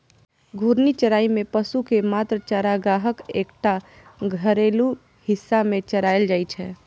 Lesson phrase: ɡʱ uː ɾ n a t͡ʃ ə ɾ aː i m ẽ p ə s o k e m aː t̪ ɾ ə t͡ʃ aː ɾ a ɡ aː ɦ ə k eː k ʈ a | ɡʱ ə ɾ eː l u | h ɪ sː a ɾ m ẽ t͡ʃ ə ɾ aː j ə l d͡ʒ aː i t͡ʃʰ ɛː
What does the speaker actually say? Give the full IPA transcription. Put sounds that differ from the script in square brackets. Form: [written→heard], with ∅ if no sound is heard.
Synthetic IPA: ɡʱ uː ɾ n [a→i] t͡ʃ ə ɾ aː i m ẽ p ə s [o→u] k e m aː t̪ ɾ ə t͡ʃ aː ɾ a ɡ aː ɦ ə k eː k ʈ a | ɡʱ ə ɾ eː l u | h ɪ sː a [ɾ→∅] m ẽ t͡ʃ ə ɾ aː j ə l d͡ʒ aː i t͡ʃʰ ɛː